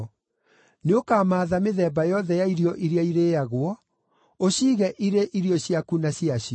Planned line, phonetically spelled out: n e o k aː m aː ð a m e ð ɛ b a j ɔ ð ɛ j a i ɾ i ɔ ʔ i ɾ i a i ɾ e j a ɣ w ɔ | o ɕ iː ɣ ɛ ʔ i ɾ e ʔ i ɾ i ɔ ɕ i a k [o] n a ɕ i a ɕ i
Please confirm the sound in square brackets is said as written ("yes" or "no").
no